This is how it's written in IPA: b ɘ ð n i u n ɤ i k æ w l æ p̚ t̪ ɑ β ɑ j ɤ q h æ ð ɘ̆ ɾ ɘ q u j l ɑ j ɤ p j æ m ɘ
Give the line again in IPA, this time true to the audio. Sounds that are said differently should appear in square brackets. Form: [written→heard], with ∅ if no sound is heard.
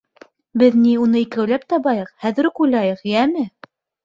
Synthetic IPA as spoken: b ɘ ð n i u n ɤ i k æ w l æ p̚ t̪ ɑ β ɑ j ɤ q h æ ð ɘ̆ ɾ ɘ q u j l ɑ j ɤ [p→q] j æ m ɘ